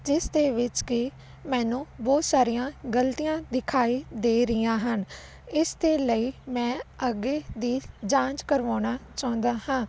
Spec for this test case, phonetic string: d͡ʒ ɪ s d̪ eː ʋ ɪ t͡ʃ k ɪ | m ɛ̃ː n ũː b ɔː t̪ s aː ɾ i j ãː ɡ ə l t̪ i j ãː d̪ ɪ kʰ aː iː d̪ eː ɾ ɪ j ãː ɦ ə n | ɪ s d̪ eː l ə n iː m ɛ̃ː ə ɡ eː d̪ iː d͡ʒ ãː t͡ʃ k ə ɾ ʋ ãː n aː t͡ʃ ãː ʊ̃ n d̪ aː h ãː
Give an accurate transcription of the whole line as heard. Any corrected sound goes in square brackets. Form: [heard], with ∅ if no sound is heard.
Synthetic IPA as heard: d͡ʒ ɪ s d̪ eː ʋ ɪ t͡ʃ k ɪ | m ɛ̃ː n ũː b ɔː t̪ s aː ɾ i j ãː ɡ ə l t̪ i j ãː d̪ ɪ kʰ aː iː d̪ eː ɾ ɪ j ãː ɦ ə n | ɪ s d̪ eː l ə [∅] iː m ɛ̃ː ə ɡ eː d̪ iː d͡ʒ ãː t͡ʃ k ə ɾ ʋ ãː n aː t͡ʃ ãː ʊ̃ n d̪ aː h ãː

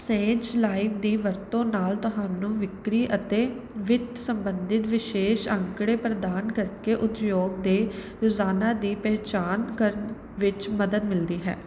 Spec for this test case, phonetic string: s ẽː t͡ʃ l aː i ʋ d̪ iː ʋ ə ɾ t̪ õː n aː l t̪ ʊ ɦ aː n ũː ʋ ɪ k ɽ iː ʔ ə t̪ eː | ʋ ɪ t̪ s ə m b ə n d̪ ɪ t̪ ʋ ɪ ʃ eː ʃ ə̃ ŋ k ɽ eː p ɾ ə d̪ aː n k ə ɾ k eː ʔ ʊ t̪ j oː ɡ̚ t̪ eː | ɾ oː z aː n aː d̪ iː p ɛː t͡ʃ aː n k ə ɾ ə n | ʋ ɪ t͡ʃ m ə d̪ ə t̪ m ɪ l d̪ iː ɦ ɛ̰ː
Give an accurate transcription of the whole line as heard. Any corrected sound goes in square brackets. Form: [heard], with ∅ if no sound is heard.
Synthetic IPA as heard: s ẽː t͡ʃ l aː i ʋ d̪ iː ʋ ə ɾ t̪ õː n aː l t̪ ʊ ɦ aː n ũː ʋ ɪ k [ɾ] iː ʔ ə t̪ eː | ʋ ɪ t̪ s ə m b ə n d̪ ɪ t̪ ʋ ɪ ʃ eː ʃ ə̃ ŋ k ɽ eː p ɾ ə d̪ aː n k ə ɾ k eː ʔ ʊ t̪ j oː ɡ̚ [d̪] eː | ɾ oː z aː n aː d̪ iː p ɛː t͡ʃ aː n k ə ɾ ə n | ʋ ɪ t͡ʃ m ə d̪ ə [d̪] m ɪ l d̪ iː ɦ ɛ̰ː

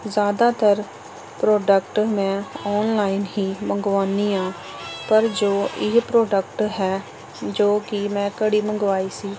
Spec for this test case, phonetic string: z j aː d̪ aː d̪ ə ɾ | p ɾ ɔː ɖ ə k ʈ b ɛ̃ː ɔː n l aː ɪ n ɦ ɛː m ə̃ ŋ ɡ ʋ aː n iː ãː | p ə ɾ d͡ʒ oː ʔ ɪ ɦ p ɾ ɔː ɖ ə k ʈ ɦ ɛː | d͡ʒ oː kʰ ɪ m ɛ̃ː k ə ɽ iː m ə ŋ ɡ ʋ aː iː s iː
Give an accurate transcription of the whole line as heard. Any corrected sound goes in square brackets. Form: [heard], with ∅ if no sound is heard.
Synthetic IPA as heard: z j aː d̪ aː [t̪] ə ɾ | p ɾ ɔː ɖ ə k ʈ [m] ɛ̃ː ɔː n l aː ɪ n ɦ [iː] m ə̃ ŋ ɡ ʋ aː n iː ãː | p ə ɾ d͡ʒ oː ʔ ɪ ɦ p ɾ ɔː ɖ ə k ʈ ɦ ɛː | d͡ʒ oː [k] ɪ m ɛ̃ː k ə ɽ iː m ə ŋ ɡ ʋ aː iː s iː

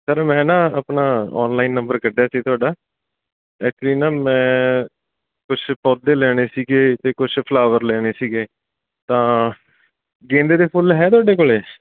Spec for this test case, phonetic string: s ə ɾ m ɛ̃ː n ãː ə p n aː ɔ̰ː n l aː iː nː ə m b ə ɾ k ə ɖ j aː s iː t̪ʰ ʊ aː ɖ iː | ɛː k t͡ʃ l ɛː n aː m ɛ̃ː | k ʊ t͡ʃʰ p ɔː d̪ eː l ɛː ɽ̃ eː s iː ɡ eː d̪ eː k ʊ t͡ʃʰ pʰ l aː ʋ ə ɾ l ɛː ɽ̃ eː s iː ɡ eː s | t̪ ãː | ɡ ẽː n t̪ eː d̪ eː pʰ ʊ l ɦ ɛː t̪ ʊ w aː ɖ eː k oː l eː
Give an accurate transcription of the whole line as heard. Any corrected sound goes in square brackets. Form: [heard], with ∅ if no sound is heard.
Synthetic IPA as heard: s ə ɾ m ɛ̃ː n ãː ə p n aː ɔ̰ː n l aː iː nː ə m b ə ɾ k ə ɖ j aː s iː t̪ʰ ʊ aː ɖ [aː] | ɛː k t͡ʃ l [iː] n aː m ɛ̃ː | k ʊ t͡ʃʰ p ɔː d̪ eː l ɛː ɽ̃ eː s iː ɡ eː [t̪] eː k ʊ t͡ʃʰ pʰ l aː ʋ ə ɾ l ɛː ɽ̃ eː s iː ɡ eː [∅] | t̪ ãː | ɡ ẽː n [d̪] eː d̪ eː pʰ ʊ l ɦ ɛː t̪ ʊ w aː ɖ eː k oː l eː

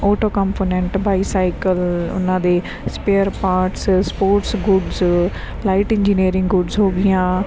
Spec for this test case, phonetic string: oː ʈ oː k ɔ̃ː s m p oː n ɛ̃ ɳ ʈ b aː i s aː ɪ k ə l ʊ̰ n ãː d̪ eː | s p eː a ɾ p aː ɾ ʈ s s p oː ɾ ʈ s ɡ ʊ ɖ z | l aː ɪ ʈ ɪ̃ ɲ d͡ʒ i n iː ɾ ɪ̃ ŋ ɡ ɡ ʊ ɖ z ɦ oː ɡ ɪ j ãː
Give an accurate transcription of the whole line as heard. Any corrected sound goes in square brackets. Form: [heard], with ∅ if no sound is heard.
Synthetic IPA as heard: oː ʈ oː k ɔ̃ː [∅] m p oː n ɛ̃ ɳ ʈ b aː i s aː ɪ k ə l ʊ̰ n ãː d̪ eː | s p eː [ə] ɾ p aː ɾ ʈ s s p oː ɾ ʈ s ɡ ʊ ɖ z | l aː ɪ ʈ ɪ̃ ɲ d͡ʒ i n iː ɾ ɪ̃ ŋ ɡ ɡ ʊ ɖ z ɦ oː ɡ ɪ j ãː

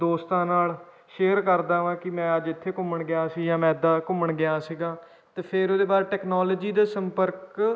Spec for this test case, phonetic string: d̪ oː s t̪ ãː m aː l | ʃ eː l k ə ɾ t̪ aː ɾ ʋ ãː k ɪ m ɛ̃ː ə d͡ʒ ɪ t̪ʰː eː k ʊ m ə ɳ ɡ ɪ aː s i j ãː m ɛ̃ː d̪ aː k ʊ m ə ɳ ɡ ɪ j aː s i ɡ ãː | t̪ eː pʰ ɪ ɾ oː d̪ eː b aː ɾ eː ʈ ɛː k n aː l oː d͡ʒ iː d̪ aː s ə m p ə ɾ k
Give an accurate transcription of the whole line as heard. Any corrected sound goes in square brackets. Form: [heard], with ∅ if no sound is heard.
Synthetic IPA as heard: d̪ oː s t̪ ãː [n] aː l | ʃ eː [ɾ] k ə ɾ [d̪] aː [∅] ʋ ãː k ɪ m ɛ̃ː ə d͡ʒ ɪ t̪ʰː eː k ʊ m ə ɳ ɡ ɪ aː s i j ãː m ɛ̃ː d̪ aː k ʊ m ə ɳ ɡ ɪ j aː s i ɡ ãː | t̪ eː pʰ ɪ ɾ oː d̪ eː b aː ɾ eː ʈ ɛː k n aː l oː d͡ʒ iː d̪ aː s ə m p ə ɾ k

